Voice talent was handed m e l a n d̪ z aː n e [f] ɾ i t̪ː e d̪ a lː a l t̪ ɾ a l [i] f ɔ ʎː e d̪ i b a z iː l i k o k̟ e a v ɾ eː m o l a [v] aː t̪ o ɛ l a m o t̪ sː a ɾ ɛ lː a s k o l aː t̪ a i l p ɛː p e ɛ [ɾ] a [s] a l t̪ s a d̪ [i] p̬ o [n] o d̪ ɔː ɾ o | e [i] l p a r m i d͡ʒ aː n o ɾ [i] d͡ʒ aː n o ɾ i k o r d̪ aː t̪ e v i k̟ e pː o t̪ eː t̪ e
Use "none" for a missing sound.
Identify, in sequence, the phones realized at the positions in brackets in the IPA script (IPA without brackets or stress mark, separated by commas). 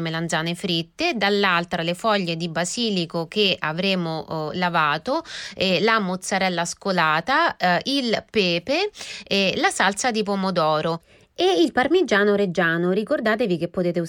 f, e, v, l, s, i, m, i, e